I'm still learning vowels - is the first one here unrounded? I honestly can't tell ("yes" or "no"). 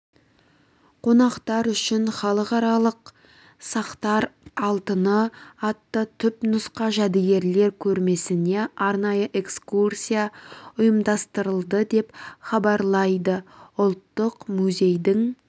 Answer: no